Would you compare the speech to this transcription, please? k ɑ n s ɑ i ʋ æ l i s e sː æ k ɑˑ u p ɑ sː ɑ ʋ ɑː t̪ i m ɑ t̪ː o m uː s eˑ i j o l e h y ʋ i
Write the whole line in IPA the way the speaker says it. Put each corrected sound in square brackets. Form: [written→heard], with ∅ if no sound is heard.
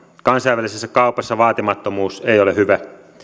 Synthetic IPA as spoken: k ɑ n s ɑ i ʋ æ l i s e sː æ k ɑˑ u p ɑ sː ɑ ʋ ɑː t̪ i m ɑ t̪ː o m uː s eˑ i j o l e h y ʋ [i→æ]